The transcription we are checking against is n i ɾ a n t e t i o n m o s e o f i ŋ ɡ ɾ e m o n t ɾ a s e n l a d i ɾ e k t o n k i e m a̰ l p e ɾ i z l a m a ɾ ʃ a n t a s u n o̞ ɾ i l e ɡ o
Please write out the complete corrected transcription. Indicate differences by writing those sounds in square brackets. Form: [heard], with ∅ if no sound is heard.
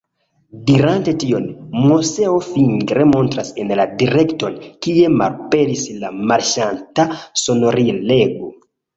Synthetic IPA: [d] i ɾ a n t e t i o n m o s e o f i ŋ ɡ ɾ e m o n t ɾ a s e n l a d i ɾ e k t o n k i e m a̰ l p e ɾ i [s] l a m a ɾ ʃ a n t a s [o] n o̞ ɾ i l e ɡ o